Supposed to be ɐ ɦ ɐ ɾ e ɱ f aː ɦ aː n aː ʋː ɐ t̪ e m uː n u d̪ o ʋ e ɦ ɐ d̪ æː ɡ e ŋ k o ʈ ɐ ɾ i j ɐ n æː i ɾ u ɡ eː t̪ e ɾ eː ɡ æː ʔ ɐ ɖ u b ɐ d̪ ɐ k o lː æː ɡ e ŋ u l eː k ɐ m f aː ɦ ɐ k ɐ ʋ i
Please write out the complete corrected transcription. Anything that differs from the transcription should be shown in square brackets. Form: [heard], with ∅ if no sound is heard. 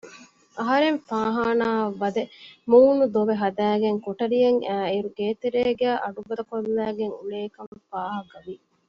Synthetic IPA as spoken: ɐ ɦ ɐ ɾ e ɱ f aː ɦ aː n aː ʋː ɐ [d̪] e m uː n u d̪ o ʋ e ɦ ɐ d̪ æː ɡ e ŋ k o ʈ ɐ ɾ i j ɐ [ŋ] æː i ɾ u ɡ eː t̪ e ɾ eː ɡ æː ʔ ɐ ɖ u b ɐ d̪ ɐ k o lː æː ɡ e ŋ u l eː k ɐ m f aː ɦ ɐ k ɐ ʋ i